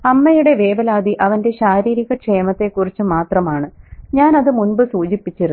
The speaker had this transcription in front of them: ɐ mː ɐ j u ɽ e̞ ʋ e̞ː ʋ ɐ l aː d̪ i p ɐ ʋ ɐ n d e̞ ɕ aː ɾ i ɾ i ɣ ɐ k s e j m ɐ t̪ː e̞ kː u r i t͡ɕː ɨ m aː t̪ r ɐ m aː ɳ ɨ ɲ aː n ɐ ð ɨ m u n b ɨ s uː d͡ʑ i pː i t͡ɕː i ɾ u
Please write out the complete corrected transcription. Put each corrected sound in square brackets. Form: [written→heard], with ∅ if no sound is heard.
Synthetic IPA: ɐ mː ɐ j u ɽ e̞ ʋ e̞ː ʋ ɐ l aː d̪ i [p→ʔ] ɐ ʋ ɐ n d e̞ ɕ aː ɾ [i→iː] ɾ i ɣ ɐ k [s→ʂ] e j m ɐ t̪ː e̞ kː u r i t͡ɕː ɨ m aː t̪ r ɐ m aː ɳ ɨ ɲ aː n ɐ ð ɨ m u n b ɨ s uː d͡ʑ i pː i t͡ɕː i ɾ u